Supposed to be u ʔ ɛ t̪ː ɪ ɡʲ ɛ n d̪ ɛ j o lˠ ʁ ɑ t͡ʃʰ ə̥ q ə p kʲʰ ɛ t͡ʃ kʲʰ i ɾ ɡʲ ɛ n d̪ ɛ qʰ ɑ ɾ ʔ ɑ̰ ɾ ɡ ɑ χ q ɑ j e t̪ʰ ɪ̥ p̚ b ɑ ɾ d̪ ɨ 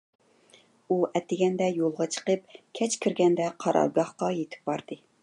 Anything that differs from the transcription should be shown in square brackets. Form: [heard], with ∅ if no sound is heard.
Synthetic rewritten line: u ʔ ɛ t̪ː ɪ ɡʲ ɛ n d̪ ɛ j o lˠ ʁ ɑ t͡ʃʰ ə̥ q ə p kʲʰ ɛ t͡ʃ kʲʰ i ɾ ɡʲ ɛ n d̪ ɛ qʰ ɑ ɾ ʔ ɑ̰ ɾ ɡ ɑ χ q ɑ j e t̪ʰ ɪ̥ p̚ b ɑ ɾ d̪ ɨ